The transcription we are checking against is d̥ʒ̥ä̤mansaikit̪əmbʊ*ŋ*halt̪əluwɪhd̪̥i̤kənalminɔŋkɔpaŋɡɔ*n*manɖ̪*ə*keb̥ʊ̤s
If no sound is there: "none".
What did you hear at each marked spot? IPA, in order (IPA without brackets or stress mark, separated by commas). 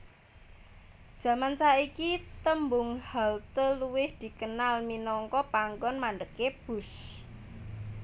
ŋ, n, ə